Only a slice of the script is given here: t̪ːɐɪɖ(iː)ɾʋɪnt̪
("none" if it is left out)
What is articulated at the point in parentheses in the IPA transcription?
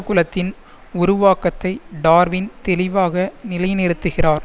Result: aː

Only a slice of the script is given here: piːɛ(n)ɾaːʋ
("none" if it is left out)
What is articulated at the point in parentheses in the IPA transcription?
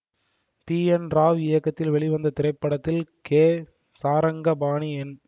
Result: n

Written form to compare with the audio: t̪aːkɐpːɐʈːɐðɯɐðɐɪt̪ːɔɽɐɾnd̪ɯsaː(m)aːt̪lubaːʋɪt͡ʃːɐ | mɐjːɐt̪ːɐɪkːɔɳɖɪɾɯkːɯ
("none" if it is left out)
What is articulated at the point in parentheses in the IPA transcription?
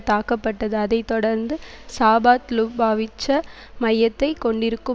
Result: b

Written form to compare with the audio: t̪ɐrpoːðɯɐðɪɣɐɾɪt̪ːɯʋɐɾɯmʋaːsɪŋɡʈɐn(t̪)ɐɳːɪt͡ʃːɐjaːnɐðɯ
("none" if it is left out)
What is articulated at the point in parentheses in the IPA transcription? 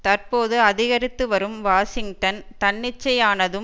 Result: t̪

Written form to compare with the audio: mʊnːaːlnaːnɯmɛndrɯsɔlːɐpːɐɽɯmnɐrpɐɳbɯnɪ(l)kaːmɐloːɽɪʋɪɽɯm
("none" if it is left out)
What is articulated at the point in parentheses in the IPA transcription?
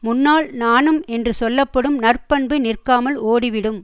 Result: r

